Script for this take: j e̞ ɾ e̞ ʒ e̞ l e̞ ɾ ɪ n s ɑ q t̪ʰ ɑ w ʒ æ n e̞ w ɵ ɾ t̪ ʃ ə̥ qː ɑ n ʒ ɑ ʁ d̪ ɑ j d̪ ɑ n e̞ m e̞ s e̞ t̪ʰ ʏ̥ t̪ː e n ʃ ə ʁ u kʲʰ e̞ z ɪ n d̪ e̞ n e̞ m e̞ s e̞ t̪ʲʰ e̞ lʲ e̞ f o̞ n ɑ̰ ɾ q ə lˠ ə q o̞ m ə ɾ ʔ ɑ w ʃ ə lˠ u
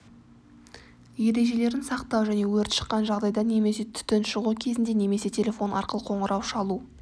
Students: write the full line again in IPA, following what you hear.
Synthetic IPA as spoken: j e̞ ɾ e̞ ʒ e̞ l e̞ ɾ ɪ n s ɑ q t̪ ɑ w ʒ æ n e̞ w ɵ ɾ t̪ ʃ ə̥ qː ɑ n ʒ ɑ ʁ d̪ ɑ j d̪ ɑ n e̞ m e̞ s e̞ t̪ʰ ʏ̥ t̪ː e n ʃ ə ʁ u kʲʰ e̞ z ɪ n d̪ e̞ n e̞ m e̞ s e̞ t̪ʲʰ e̞ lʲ e̞ f o̞ n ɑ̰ ɾ q ə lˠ ə qʰ o̞ ɴ ə ɾ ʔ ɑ w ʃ ɑ lˠ u